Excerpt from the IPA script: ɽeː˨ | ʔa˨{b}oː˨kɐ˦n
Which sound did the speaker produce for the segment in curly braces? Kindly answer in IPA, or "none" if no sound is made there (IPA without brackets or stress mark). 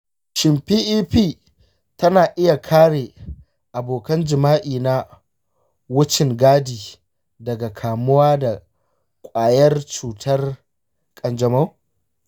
b